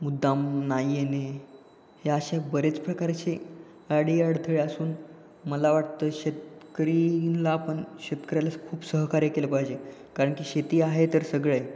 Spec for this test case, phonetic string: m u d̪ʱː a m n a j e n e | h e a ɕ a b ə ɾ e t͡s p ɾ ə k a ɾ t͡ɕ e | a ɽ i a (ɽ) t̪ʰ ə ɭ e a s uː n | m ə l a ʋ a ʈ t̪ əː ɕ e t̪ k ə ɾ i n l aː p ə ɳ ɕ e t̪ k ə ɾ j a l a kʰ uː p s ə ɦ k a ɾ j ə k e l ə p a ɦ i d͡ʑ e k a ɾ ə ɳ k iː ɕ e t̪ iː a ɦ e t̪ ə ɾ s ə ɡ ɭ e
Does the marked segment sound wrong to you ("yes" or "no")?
no